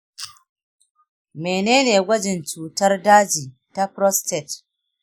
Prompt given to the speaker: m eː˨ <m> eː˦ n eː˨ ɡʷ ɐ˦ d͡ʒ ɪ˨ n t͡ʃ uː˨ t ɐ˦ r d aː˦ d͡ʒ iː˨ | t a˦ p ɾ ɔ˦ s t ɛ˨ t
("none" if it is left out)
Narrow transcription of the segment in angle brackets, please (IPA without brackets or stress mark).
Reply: n